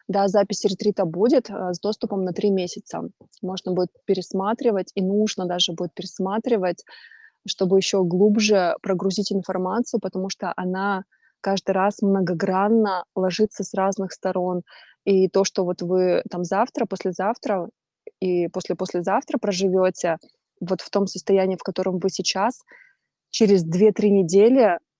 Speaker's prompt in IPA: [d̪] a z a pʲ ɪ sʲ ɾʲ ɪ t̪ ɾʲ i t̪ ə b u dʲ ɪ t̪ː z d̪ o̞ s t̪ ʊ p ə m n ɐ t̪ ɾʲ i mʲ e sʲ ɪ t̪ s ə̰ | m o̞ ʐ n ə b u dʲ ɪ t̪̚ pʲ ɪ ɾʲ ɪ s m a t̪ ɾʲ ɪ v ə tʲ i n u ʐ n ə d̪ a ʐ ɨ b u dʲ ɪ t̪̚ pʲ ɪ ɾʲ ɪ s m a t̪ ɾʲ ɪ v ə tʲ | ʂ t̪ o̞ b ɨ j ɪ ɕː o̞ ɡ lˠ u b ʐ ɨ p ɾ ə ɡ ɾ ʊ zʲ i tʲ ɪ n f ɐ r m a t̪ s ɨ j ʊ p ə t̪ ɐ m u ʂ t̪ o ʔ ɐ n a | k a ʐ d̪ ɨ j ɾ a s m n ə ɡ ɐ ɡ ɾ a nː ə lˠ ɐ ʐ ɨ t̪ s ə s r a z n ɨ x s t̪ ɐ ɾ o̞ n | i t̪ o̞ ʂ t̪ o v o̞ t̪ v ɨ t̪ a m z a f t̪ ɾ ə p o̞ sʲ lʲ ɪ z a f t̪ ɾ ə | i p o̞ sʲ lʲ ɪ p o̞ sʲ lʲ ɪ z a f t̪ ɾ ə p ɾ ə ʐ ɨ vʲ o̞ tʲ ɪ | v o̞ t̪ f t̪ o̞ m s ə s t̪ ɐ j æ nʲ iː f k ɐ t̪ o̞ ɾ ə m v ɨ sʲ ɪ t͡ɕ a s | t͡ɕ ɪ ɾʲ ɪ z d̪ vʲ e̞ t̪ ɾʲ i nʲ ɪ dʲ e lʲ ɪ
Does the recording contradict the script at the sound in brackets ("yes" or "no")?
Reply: no